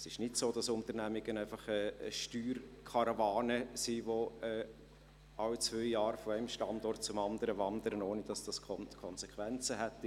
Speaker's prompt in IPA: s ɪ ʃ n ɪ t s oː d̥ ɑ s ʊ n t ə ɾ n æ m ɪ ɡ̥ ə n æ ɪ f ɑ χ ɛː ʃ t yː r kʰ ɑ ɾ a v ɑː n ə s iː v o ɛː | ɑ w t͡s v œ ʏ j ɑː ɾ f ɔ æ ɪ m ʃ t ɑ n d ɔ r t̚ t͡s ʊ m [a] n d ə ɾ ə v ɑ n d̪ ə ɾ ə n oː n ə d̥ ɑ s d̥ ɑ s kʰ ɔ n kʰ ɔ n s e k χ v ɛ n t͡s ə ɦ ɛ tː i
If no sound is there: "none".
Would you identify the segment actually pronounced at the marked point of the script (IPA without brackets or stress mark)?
ɑ